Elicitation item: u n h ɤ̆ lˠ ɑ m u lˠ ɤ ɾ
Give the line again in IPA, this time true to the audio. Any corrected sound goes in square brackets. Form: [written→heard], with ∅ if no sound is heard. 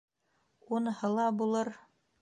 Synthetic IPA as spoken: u n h ɤ̆ lˠ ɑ [m→b] u lˠ ɤ ɾ